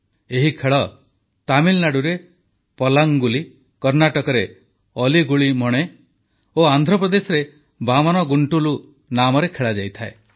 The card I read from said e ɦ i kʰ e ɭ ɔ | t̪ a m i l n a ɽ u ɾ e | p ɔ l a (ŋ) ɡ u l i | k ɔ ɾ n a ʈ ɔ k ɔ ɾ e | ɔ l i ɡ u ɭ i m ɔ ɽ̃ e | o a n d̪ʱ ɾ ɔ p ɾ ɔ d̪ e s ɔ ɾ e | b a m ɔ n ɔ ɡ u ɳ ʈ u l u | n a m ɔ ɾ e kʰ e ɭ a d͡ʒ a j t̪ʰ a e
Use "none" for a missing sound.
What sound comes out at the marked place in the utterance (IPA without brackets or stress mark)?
ŋ